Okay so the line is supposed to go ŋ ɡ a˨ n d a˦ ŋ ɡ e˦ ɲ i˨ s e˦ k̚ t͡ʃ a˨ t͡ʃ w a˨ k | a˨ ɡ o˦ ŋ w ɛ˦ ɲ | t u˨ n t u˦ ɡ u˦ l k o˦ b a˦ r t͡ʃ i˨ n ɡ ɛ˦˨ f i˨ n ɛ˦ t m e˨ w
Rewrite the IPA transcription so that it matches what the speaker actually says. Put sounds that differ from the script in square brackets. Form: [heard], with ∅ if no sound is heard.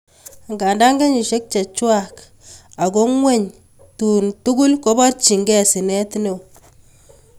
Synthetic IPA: ŋ ɡ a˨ n d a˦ ŋ ɡ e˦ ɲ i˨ [ʃ] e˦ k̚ t͡ʃ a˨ t͡ʃ w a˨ k | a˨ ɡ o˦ ŋ w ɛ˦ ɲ | t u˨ n t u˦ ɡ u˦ l k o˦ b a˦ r t͡ʃ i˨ [ŋ] ɡ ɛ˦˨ [s] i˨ n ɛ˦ t [n] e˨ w